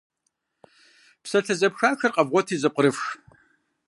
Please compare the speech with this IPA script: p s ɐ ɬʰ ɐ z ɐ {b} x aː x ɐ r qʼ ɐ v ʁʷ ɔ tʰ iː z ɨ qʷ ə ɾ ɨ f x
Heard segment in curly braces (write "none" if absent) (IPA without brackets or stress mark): p